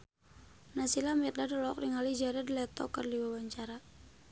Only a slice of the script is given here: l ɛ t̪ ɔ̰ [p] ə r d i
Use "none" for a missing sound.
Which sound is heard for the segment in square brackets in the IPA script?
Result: k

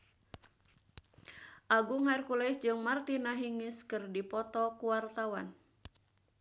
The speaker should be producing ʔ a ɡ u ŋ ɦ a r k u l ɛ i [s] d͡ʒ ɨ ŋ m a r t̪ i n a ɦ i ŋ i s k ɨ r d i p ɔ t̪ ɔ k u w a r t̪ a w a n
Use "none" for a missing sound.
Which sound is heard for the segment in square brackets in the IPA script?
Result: s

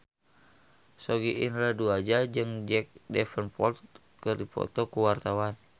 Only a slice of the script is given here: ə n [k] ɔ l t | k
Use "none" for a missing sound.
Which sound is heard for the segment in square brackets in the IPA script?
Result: p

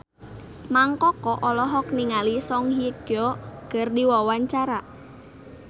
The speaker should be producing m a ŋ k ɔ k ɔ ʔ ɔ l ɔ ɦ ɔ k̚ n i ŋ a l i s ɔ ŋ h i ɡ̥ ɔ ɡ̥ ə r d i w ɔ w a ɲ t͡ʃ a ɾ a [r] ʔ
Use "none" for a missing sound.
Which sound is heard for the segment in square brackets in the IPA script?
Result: none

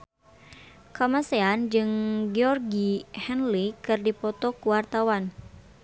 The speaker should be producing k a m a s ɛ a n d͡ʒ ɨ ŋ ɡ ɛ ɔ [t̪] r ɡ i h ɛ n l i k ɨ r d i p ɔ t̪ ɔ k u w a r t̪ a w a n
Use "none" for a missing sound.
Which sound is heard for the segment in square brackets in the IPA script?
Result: none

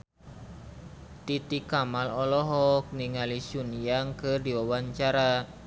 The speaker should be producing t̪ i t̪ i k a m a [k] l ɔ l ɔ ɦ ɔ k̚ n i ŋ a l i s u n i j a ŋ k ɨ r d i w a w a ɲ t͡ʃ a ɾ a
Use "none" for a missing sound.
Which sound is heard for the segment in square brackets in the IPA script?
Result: none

